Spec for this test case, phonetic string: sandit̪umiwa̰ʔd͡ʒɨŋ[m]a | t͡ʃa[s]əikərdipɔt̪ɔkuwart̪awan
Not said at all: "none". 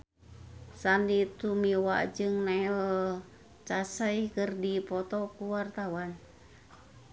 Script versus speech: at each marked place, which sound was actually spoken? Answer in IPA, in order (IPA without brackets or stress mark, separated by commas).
n, s